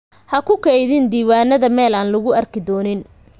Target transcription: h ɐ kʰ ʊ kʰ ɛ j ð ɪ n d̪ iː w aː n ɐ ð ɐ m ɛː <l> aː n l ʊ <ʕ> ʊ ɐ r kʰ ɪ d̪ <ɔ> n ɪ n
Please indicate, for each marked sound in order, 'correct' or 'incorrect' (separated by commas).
correct, incorrect, incorrect